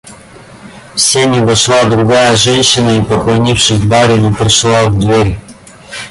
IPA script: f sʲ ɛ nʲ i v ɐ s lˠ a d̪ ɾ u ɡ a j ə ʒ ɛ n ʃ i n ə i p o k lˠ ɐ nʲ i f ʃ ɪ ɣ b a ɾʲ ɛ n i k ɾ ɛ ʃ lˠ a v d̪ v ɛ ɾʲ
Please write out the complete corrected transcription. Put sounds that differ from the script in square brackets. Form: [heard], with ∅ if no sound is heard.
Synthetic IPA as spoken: f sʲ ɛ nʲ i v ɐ [ʃ] lˠ a d̪ ɾ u ɡ a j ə ʒ ɛ n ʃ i n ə i p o k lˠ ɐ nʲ i f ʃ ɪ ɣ b a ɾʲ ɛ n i [p] ɾ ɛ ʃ lˠ a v d̪ v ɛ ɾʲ